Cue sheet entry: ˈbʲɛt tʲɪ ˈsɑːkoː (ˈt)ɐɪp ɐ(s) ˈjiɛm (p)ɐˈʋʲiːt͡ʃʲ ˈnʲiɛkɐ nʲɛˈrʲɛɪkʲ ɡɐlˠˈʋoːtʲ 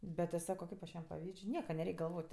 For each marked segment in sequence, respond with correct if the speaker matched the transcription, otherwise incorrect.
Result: incorrect: k, incorrect: ʃ, correct

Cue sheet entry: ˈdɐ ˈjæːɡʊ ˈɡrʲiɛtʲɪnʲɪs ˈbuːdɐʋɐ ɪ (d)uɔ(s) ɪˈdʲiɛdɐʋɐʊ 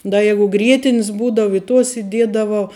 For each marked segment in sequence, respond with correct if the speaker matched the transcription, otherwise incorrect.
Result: incorrect: t, correct

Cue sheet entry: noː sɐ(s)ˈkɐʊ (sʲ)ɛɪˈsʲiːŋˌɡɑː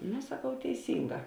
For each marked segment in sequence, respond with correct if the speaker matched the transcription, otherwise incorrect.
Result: incorrect: none, incorrect: tʲ

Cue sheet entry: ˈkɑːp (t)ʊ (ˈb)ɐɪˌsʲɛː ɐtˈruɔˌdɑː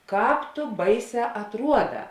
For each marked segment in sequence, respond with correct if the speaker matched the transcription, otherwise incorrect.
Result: correct, correct

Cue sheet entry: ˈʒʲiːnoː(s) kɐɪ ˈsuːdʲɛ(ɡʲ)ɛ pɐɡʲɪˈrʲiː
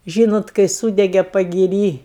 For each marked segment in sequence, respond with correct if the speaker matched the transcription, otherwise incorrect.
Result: incorrect: t, correct

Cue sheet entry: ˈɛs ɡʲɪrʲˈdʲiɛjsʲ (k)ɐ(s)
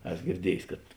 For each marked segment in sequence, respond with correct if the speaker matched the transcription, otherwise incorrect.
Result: correct, incorrect: t

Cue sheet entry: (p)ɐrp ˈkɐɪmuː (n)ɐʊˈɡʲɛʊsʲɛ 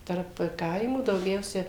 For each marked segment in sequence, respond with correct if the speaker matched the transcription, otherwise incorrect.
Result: incorrect: t, incorrect: d

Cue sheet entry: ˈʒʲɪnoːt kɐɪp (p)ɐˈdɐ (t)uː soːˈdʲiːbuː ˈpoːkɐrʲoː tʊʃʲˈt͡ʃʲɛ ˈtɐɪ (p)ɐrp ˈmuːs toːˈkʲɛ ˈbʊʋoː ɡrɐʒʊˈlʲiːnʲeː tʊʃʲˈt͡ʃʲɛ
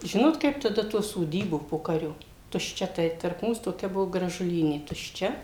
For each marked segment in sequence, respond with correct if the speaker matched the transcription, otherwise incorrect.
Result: incorrect: t, correct, incorrect: t

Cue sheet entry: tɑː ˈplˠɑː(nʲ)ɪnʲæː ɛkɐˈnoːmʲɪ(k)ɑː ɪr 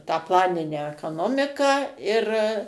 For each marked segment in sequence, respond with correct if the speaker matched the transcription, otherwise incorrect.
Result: correct, correct

